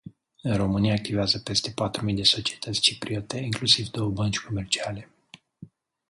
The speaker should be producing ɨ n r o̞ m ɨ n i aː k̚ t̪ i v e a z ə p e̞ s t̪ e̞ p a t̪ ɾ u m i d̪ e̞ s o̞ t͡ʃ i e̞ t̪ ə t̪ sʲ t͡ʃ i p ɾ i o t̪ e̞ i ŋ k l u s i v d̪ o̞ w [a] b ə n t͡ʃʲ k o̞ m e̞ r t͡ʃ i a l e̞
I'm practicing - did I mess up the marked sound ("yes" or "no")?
yes